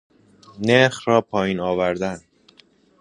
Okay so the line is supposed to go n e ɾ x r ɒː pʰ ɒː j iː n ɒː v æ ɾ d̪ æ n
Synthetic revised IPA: n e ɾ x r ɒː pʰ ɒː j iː n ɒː v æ ɾ d̪ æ n